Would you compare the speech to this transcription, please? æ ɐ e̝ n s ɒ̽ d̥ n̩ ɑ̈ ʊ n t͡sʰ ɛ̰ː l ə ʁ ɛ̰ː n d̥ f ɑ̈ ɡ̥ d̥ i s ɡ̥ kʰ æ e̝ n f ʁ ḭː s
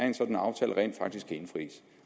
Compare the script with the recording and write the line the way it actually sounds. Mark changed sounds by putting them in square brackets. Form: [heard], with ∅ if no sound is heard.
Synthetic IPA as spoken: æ ɐ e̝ n s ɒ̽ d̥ n̩ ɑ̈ ʊ [∅] t͡sʰ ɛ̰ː l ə ʁ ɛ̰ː n d̥ f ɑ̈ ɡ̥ d̥ i s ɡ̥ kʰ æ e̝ n f ʁ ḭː s